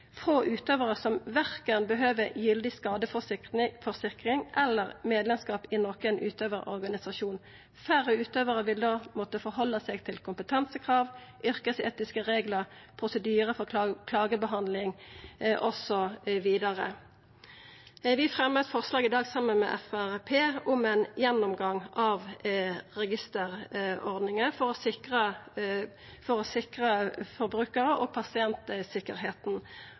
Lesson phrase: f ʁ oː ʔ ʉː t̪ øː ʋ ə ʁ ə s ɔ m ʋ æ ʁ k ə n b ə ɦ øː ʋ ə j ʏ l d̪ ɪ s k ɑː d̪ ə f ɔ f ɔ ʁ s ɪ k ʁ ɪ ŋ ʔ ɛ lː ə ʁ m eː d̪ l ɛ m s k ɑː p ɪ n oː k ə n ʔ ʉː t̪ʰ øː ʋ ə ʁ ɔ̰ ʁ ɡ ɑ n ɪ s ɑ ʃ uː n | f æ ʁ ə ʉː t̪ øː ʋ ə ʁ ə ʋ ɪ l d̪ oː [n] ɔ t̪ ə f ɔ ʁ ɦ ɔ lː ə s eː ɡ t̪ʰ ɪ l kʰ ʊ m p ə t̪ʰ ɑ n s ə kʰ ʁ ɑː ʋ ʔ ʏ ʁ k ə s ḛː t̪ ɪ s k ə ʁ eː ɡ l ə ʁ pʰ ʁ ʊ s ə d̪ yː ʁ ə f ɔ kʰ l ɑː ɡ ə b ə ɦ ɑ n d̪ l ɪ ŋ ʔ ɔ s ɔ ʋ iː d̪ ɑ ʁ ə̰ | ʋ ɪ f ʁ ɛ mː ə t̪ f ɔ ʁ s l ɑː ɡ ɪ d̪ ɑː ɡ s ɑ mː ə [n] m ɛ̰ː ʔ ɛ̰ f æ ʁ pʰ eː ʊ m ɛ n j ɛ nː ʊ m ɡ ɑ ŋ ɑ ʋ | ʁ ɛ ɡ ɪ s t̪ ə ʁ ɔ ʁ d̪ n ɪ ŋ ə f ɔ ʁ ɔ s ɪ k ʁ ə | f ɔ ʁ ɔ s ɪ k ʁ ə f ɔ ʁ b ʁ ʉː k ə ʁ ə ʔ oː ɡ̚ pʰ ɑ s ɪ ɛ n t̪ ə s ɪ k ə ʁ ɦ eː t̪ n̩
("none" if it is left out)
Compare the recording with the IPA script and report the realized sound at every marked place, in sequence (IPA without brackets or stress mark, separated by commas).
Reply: m, n